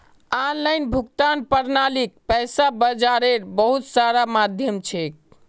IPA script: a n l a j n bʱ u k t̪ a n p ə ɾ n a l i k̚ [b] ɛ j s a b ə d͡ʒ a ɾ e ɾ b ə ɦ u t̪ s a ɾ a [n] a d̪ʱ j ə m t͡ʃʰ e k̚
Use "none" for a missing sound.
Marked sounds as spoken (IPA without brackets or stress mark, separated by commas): p, m